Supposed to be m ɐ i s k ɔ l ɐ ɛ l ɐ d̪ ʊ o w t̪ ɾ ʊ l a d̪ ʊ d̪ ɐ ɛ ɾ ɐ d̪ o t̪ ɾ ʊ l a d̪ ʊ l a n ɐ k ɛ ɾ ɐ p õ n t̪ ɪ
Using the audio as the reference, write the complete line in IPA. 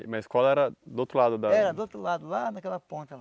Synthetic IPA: m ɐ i s k ɔ l ɐ ɛ ɾ ɐ d̪ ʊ o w t̪ ɾ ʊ l a d̪ ʊ d̪ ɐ ɛ ɾ ɐ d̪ o t̪ ɾ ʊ l a d̪ ʊ l a n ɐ k ɛ l ɐ p õ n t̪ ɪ